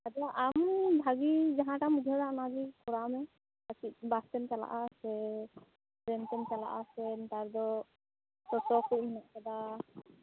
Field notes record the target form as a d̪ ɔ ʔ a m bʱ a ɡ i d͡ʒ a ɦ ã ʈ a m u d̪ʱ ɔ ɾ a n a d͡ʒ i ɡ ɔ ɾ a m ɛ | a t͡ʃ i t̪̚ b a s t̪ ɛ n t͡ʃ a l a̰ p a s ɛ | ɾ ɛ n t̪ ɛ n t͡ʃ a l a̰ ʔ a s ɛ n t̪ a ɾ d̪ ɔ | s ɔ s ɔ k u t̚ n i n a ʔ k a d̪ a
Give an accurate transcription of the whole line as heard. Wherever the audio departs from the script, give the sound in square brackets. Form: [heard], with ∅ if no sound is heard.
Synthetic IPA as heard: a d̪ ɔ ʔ a m bʱ a ɡ i d͡ʒ a ɦ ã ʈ a m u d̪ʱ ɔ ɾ a n a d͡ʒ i [k] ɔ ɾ a m ɛ | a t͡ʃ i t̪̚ b a s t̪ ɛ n t͡ʃ a l a̰ [ʔ] a s ɛ | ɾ ɛ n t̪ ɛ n t͡ʃ a l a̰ ʔ a s ɛ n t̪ a ɾ d̪ ɔ | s ɔ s ɔ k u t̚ [m] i n a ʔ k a d̪ a